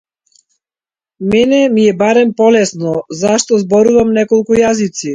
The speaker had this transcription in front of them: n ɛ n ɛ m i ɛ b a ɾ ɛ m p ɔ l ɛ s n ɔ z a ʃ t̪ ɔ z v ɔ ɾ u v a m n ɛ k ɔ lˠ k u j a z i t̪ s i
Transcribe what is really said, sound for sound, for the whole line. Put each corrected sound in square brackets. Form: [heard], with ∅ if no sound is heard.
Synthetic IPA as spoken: [m] ɛ n ɛ m i ɛ b a ɾ ɛ m p ɔ l ɛ s n ɔ z a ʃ t̪ ɔ z [b] ɔ ɾ u v a m n ɛ k ɔ lˠ k u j a z i t̪ s i